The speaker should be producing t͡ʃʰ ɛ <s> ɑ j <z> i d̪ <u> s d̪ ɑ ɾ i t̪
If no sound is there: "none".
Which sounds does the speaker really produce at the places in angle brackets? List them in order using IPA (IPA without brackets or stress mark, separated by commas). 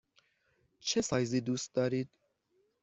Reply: s, z, u